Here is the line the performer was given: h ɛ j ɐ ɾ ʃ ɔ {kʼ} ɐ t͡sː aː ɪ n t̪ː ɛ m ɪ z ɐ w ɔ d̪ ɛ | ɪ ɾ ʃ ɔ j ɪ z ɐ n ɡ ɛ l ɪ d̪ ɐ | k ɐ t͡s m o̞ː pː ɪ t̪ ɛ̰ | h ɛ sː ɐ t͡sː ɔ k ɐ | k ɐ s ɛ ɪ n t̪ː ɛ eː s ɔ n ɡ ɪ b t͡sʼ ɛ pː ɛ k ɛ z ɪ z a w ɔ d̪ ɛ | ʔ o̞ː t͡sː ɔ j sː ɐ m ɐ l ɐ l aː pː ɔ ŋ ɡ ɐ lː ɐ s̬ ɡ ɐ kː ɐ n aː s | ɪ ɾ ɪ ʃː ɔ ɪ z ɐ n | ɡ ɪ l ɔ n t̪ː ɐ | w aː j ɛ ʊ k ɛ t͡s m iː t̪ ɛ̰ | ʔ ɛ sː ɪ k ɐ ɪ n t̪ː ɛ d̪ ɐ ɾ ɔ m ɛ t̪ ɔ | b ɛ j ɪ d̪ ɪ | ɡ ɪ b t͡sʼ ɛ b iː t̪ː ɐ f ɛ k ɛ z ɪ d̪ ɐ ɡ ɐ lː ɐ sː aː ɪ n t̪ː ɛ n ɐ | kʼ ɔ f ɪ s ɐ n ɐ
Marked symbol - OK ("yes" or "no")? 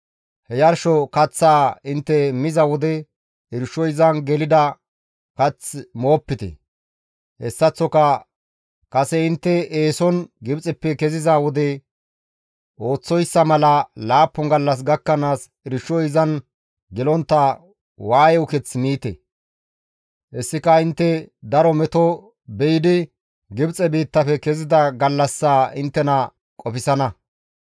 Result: no